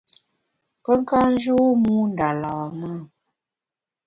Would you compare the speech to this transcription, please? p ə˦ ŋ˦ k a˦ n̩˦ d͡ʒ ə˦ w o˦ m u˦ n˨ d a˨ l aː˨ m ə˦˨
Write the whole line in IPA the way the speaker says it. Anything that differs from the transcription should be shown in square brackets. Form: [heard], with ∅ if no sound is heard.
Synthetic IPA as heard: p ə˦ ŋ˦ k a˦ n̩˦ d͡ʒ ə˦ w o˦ m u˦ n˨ d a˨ l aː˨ m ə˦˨